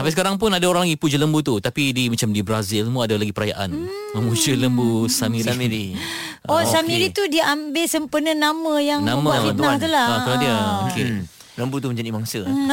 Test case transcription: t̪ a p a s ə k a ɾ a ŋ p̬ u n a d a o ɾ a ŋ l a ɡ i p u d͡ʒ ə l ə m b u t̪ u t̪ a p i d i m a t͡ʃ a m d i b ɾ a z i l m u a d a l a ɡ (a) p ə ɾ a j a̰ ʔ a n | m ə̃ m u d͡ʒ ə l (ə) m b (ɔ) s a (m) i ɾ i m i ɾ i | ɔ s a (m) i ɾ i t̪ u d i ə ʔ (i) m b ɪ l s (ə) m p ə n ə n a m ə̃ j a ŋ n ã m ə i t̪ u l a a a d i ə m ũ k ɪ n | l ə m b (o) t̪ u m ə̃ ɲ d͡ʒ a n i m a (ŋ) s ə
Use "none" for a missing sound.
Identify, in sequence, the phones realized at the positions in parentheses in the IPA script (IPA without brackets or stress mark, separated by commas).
i, ə, u, m, m, a, ə, u, ŋ